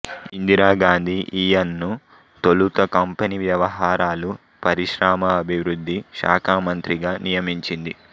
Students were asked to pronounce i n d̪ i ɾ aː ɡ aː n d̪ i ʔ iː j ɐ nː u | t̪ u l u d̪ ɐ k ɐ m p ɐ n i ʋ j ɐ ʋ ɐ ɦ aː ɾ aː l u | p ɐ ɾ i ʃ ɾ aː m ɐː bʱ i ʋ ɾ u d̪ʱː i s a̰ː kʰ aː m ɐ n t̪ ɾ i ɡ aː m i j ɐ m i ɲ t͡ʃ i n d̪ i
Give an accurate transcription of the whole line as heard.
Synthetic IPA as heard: i n d̪ i ɾ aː ɡ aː n d̪ i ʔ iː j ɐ nː u | t̪ o l u t̪ ɐ k ɐ m p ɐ n i ʋ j ɐ ʋ ɐ ɦ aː ɾ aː l u | p ɐ ɾ i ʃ ɾ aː m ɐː bʱ i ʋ ɾ u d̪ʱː i ʃ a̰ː kʰ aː m ɐ n t̪ ɾ i ɡ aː n i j ɐ m i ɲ t͡ʃ i n d̪ i